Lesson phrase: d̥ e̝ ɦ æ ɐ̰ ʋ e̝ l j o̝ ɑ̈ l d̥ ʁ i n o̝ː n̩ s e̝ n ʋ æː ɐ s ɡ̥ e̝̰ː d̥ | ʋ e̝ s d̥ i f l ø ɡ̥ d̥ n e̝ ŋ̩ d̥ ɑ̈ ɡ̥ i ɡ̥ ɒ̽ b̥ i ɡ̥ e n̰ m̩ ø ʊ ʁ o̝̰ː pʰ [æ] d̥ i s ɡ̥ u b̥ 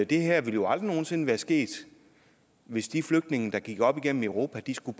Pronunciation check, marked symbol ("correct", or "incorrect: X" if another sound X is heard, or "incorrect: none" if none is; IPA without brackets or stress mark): correct